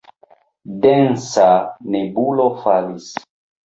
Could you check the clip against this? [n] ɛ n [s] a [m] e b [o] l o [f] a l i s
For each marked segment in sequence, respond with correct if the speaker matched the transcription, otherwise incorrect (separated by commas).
incorrect, correct, incorrect, incorrect, correct